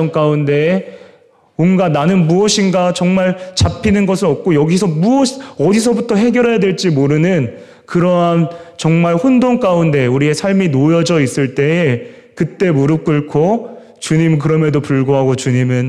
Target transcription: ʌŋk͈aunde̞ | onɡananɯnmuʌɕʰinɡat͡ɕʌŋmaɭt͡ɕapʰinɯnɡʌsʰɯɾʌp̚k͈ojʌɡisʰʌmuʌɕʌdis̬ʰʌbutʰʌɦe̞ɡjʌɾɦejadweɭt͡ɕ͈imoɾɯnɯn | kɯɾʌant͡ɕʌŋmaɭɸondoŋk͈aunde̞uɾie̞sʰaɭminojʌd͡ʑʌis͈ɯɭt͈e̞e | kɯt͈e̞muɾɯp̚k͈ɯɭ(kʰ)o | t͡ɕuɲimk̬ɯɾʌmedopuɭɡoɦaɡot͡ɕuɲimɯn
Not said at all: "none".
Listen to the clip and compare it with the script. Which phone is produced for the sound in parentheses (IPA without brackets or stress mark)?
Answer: kʰ